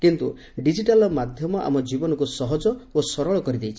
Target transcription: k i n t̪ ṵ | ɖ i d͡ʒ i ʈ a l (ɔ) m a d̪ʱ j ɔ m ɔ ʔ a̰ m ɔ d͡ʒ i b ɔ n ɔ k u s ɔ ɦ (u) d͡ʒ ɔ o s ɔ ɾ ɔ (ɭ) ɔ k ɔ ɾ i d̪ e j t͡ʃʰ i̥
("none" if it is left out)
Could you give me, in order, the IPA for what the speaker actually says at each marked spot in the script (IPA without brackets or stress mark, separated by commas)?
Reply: ɔ, ɔ, ɭ